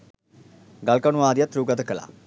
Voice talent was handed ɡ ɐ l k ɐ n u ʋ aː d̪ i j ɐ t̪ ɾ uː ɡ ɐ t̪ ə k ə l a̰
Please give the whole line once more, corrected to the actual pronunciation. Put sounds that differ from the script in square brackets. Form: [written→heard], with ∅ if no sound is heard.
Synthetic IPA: ɡ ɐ l k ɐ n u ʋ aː d̪ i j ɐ t̪ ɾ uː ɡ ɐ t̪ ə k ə l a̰